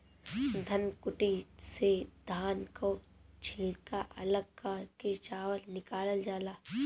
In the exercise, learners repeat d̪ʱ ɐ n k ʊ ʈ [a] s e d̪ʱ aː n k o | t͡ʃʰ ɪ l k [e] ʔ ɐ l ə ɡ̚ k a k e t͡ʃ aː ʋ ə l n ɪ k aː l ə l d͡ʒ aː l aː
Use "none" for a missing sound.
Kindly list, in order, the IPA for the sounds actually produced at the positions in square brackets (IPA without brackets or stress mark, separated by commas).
i, a